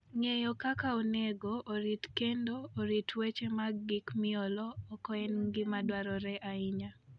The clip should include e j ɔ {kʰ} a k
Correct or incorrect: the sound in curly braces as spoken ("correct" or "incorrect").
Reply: incorrect